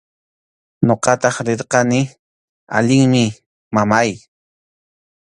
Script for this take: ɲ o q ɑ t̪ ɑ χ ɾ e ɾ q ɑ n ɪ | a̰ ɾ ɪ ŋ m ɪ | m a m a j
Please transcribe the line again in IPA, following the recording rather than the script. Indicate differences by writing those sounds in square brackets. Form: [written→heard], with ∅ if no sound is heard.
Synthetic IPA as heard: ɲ o q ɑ t̪ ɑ χ ɾ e ɾ q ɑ n ɪ | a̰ [ɾ→ʎ] ɪ ŋ m ɪ | m a m a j